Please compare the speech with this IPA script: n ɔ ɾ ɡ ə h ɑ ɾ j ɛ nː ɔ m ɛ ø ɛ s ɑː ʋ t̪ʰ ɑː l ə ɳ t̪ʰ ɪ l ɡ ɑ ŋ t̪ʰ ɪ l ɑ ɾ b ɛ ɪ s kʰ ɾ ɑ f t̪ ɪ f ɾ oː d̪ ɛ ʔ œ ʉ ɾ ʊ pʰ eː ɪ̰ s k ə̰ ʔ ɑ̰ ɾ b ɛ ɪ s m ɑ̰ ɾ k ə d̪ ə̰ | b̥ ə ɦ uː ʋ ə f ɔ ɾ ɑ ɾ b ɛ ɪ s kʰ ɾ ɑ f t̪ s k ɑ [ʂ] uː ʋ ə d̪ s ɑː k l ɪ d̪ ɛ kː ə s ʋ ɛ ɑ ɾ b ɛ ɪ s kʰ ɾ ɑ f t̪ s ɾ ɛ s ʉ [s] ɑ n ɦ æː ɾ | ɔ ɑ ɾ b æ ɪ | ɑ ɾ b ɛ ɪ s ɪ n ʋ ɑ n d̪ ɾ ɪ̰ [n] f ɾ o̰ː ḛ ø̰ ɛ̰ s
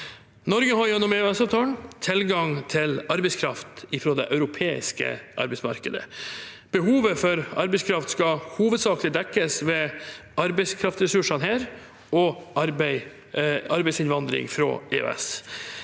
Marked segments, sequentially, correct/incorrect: incorrect: h, incorrect: ʂ, incorrect: ŋ

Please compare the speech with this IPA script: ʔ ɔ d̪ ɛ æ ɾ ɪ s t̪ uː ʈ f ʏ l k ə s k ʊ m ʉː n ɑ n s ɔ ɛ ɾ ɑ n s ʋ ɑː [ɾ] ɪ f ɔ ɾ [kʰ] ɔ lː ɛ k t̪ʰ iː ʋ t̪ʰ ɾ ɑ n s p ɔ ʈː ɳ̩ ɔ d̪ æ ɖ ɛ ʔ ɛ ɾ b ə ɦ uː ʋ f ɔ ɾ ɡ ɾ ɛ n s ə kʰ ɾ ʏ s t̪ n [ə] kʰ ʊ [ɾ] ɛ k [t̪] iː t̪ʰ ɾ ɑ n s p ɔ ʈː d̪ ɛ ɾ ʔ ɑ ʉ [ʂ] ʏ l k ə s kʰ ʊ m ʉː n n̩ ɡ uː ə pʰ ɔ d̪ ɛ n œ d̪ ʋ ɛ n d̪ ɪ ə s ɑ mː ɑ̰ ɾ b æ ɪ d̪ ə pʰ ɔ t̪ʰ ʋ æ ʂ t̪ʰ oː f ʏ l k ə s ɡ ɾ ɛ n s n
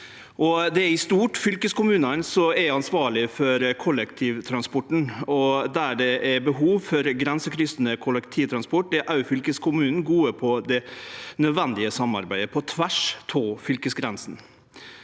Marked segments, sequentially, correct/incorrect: incorrect: ɭ, correct, correct, incorrect: l, incorrect: t̪ʰ, incorrect: f

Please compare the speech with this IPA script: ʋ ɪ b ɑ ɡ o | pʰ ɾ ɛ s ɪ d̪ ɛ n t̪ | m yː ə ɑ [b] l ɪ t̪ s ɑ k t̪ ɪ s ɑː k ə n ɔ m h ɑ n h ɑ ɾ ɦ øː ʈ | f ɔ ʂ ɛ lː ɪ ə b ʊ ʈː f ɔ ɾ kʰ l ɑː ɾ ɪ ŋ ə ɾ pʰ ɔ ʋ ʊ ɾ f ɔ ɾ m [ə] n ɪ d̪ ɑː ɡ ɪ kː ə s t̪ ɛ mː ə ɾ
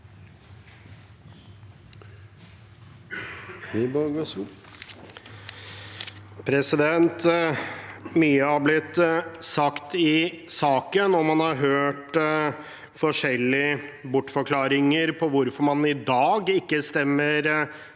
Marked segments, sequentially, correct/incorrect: correct, incorrect: ɑ

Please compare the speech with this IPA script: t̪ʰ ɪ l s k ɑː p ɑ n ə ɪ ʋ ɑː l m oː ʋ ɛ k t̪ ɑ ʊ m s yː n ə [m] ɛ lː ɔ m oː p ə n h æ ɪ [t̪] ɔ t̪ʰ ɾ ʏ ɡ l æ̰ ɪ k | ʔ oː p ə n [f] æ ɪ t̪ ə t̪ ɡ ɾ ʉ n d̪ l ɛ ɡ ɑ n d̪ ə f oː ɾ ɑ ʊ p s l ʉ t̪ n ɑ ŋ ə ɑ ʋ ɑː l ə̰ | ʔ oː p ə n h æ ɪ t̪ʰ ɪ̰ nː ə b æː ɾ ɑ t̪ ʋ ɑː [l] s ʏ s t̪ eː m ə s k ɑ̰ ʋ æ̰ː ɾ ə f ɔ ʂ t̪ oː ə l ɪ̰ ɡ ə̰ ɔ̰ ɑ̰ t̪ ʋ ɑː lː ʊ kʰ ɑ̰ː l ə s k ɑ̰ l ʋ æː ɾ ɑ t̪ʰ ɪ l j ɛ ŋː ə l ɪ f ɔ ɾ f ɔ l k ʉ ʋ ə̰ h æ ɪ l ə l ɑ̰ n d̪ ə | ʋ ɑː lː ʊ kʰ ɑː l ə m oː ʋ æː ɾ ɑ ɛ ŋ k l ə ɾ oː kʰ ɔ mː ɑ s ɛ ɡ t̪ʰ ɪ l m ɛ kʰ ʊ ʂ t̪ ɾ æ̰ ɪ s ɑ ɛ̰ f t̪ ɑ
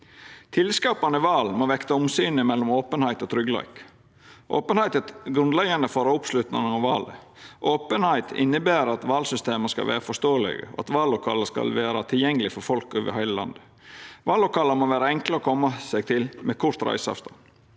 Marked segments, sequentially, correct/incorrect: correct, correct, incorrect: h, correct

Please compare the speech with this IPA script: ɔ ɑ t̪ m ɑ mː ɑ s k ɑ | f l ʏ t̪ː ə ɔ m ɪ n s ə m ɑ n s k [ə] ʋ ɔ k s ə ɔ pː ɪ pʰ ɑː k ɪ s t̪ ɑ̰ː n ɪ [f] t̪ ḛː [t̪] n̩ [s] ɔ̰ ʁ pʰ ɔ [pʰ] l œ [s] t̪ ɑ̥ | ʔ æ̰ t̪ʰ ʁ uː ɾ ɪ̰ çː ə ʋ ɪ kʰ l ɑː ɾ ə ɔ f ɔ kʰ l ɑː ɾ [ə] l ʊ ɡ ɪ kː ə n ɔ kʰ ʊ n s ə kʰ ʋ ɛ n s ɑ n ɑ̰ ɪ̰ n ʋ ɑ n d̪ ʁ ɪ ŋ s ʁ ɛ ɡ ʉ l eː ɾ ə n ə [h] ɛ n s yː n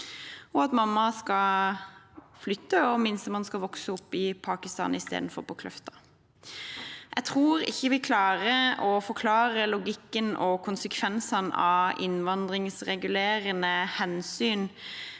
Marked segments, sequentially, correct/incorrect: incorrect: ɑ, incorrect: s, incorrect: d̪, incorrect: f, incorrect: kʰ, incorrect: f, correct, correct

